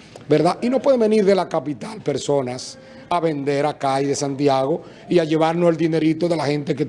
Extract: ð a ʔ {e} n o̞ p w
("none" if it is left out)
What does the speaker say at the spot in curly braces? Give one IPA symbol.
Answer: i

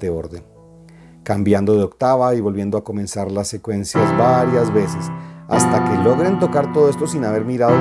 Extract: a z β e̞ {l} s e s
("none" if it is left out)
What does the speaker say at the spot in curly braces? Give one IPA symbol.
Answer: none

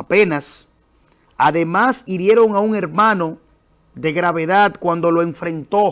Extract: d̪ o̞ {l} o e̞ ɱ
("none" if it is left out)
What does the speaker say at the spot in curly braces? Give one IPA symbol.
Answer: l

